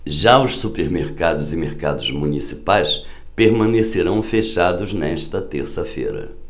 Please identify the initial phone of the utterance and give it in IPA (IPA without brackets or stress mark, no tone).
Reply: ʒ